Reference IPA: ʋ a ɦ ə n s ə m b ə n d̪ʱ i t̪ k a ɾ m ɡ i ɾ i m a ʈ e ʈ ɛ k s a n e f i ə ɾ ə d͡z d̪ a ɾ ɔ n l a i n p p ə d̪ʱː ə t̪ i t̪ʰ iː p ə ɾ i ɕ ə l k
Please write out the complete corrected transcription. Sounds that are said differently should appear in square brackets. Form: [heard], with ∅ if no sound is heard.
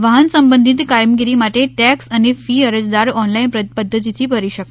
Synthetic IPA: ʋ a ɦ ə n s ə m b ə n d̪ʱ i t̪ k a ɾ m ɡ i ɾ i m a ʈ e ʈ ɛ k s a n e f i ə ɾ ə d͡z d̪ a ɾ ɔ n l a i n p p ə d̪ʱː ə t̪ i t̪ʰ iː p ə ɾ i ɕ ə [∅] k